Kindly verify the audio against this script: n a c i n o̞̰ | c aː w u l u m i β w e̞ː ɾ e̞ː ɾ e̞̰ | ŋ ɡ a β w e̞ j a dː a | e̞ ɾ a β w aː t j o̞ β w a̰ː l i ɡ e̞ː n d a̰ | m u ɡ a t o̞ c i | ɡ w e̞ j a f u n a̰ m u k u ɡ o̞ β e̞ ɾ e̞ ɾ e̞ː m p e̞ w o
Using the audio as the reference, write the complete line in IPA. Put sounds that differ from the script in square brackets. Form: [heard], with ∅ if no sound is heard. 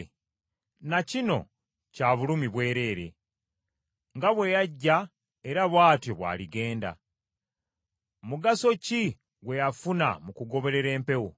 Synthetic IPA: n a c i n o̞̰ | c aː [β] u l u m i β w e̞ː ɾ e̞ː ɾ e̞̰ | ŋ ɡ a β w e̞ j a [ɟː] a | e̞ ɾ a β w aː t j o̞ β w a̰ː l i ɡ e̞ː n d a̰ | m u ɡ a [s] o̞ c i | ɡ w e̞ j a f u n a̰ m u k u ɡ o̞ β e̞ ɾ e̞ ɾ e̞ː m p e̞ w o